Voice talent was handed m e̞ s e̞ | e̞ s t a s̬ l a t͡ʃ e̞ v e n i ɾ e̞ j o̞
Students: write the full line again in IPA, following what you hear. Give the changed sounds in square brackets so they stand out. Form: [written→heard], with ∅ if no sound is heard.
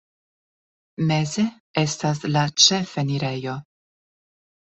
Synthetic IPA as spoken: m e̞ [s→z] e̞ | e̞ s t a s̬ l a t͡ʃ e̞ [v→f] e n i ɾ e̞ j o̞